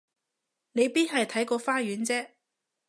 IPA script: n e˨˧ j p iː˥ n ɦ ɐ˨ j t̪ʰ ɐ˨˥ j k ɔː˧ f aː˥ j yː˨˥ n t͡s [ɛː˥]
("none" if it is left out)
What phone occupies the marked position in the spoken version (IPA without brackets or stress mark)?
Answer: ɛː˥